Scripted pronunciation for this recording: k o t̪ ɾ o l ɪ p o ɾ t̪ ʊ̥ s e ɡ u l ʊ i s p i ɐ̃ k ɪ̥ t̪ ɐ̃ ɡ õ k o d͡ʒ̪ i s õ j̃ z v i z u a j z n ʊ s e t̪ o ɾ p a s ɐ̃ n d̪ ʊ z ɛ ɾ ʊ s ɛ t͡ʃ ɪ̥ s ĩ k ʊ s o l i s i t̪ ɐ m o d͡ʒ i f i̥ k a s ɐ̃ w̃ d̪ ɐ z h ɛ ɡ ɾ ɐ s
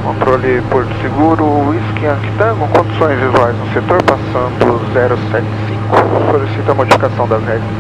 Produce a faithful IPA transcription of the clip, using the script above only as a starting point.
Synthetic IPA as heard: k õ t̪ ɾ o l ɪ p o ɾ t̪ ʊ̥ s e ɡ u ɾ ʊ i s k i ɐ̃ k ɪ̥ t̪ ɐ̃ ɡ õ k õ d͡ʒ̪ i s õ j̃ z v i z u a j z n ʊ s e t̪ o ɾ p a s ɐ̃ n d̪ ʊ z ɛ ɾ ʊ s ɛ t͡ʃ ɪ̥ s ĩ k ʊ s o l i s i t̪ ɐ m o d͡ʒ i f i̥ k a s ɐ̃ w̃ d̪ ɐ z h ɛ ɡ ɾ ɐ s

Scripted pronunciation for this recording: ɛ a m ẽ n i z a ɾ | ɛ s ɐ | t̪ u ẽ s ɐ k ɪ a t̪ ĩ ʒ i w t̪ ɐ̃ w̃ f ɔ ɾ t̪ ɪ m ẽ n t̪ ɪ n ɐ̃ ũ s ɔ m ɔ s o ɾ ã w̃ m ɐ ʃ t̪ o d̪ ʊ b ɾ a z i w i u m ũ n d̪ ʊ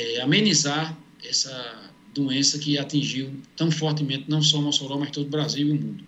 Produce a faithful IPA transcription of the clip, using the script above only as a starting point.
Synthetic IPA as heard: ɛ a m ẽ n i z a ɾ | ɛ s ɐ | d̪ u ẽ s ɐ k ɪ a t̪ ĩ ʒ i w t̪ ɐ̃ w̃ f ɔ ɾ t̪ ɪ m ẽ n t̪ ɪ n ɐ̃ w̃ s ɔ m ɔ s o ɾ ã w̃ m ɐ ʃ t̪ o d̪ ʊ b ɾ a z i w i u m ũ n d̪ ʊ

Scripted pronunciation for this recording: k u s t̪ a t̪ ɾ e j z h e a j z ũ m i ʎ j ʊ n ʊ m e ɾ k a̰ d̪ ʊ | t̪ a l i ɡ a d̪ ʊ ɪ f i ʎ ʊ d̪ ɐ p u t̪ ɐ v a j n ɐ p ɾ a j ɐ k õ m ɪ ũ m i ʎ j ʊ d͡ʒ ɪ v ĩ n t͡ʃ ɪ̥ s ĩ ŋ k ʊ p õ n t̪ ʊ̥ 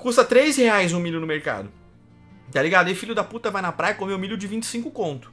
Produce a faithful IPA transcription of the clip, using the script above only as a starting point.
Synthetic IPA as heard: k u s t̪ ɐ t̪ ɾ e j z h e a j z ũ m i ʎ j ʊ n ʊ m e ɾ k a̰ d̪ ʊ | t̪ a l i ɡ a d̪ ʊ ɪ f i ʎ ʊ d̪ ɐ p u t̪ ɐ v a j n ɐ p ɾ a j ɐ k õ m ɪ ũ m i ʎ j ʊ d͡ʒ ɪ v ĩ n t͡ʃ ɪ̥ s ĩ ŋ k ʊ k õ n t̪ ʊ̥

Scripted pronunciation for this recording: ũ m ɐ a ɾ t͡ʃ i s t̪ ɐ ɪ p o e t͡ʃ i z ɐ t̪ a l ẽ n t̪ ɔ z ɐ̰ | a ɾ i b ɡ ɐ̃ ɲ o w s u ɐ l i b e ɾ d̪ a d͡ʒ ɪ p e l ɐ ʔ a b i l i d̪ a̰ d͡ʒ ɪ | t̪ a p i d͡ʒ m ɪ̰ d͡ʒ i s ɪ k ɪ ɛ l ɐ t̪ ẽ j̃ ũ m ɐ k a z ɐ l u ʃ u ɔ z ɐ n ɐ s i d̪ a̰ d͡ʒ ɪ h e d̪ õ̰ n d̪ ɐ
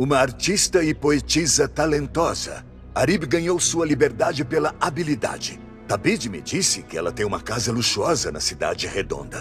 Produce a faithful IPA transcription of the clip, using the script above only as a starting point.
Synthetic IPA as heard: ũ m ɐ a ɾ t͡ʃ i s t̪ ɐ ɪ p o e t͡ʃ i z ɐ t̪ a l ẽ n t̪ ɔ z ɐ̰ | a ɾ i b ɡ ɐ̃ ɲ o w s u ɐ l i b e ɾ d̪ a d͡ʒ ɪ p e l ɐ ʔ a b i l i d̪ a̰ d͡ʒ ɪ | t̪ a b i d͡ʒ m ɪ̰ d͡ʒ i s ɪ k ɪ ɛ l ɐ t̪ ẽ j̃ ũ m ɐ k a z ɐ l u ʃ u ɔ z ɐ n ɐ s i d̪ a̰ d͡ʒ ɪ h e d̪ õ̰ n d̪ ɐ

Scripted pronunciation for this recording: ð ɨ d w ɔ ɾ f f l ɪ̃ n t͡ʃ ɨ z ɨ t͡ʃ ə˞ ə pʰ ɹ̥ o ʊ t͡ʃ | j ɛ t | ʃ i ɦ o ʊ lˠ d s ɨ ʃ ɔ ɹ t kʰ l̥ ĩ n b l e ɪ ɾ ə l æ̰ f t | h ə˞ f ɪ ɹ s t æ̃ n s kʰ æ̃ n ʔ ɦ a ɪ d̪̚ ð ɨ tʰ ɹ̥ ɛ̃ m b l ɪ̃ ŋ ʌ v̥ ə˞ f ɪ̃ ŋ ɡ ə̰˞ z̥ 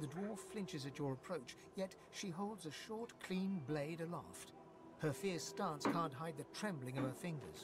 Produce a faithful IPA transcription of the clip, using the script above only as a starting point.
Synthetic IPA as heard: ð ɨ d w ɔ ɹ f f l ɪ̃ n t͡ʃ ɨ z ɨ t͡ʃ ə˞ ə pʰ ɹ̥ o ʊ t͡ʃ | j ɛ t | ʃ i ɦ o ʊ lˠ d z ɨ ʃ ɔ ɹ t kʰ l̥ ĩ n b l e ɪ ɾ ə l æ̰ f t | h ə˞ f ɪ ɹ s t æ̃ n s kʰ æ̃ n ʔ ɦ a ɪ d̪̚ ð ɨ tʰ ɹ̥ ɛ̃ m b l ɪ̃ ŋ ʌ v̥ ə˞ f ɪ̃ ŋ ɡ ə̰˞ z̥

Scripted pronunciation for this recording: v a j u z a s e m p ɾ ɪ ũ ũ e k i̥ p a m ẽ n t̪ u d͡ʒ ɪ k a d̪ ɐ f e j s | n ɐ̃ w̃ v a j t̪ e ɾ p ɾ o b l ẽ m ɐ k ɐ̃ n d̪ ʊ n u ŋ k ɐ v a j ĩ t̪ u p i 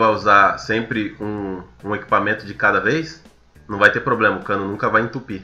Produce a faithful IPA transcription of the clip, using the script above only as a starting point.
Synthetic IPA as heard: v a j u z a s ẽ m p ɾ ɪ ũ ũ e k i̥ p a m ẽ n t̪ ʊ d͡ʒ ɪ k a d̪ ɐ v e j s | n ɐ̃ w̃ v a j t̪ e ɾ p ɾ o b l ẽ m ɐ k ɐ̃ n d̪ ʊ n ũ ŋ k ɐ v a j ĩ t̪ u p i

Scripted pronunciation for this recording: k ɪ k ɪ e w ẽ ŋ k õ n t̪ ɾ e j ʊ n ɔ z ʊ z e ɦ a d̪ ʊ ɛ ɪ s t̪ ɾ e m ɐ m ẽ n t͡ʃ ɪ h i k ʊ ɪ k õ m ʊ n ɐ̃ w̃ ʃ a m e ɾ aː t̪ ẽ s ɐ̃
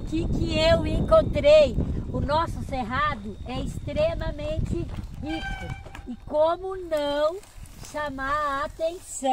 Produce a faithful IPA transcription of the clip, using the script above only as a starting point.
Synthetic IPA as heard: k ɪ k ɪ e w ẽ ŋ k õ n t̪ ɾ e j ʊ n ɔ s ʊ s e ɦ a d̪ ʊ ɛ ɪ s t̪ ɾ e m ɐ m ẽ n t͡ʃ ɪ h i k ʊ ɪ k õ m ʊ n ɐ̃ w̃ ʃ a m a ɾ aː t̪ ẽ s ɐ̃

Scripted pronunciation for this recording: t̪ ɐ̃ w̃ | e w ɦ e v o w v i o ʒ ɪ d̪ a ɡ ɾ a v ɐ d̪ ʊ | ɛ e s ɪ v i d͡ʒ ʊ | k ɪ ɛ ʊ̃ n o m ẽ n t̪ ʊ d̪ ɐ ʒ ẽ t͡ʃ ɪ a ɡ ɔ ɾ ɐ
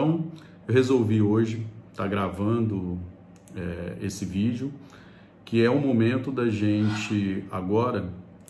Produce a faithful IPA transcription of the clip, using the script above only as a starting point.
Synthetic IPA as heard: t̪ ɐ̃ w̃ | e w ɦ e z o w v i o ʒ ɪ t̪ a ɡ ɾ a v ɐ̃ d̪ ʊ | ɛ e s ɪ v i d͡ʒ ʊ | k ɪ ɛ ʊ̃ m o m ẽ n t̪ ʊ d̪ ɐ ʒ ẽ t͡ʃ ɪ a ɡ ɔ ɾ ɐ

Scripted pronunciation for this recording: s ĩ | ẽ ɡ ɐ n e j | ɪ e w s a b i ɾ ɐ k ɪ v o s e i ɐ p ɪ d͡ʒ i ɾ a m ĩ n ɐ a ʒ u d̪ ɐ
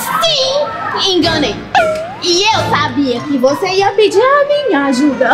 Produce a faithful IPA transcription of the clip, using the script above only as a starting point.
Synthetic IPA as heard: s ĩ | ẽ ɡ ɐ n e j | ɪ e w s a b i ɐ k ɪ v o s e i ɐ p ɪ d͡ʒ i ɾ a m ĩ ɲ ɐ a ʒ u d̪ ɐ

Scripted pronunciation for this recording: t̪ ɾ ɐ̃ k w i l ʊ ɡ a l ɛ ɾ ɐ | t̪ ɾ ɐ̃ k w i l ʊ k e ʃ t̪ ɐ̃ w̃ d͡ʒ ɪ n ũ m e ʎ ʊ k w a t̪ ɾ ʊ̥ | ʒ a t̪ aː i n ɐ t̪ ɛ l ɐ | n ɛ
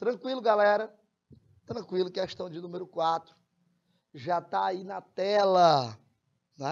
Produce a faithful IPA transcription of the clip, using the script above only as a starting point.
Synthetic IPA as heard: t̪ ɾ ɐ̃ k w i l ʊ ɡ a l ɛ ɾ ɐ | t̪ ɾ ɐ̃ k w i l ʊ k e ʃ t̪ ɐ̃ w̃ d͡ʒ ɪ n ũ m e ɾ ʊ k w a t̪ ɾ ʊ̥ | ʒ a t̪ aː i n ɐ t̪ ɛ l ɐ | n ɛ

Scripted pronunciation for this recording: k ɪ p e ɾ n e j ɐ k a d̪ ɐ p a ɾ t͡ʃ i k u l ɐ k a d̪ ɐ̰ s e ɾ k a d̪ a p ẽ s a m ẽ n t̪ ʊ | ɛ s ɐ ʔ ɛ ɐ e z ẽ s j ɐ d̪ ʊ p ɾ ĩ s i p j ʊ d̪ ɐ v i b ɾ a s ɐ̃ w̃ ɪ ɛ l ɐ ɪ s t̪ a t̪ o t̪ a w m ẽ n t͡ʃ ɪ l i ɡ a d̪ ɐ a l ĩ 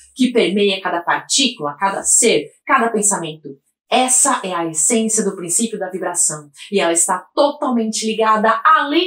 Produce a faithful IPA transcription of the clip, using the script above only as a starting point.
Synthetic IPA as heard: k ɪ p e ɾ m e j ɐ k a d̪ ɐ p a ɾ t͡ʃ i k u l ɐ k a d̪ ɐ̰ s e ɾ k a d̪ ɐ p ẽ s a m ẽ n t̪ ʊ | ɛ s ɐ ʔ ɛ ɐ e s ẽ s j ɐ d̪ ʊ p ɾ ĩ s i p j ʊ d̪ ɐ v i b ɾ a s ɐ̃ w̃ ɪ ɛ l ɐ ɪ s t̪ a t̪ o t̪ a w m ẽ n t͡ʃ ɪ l i ɡ a d̪ ɐ a l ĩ

